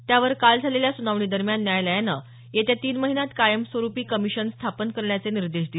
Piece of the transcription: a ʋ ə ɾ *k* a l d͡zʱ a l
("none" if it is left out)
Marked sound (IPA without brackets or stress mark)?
k